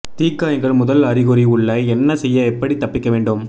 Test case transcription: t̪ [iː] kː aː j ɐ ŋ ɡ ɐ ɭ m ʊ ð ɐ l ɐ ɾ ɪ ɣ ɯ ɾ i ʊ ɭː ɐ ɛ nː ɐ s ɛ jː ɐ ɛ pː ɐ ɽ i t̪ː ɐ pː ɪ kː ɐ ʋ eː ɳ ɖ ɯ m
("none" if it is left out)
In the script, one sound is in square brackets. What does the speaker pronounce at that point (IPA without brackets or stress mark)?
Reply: iː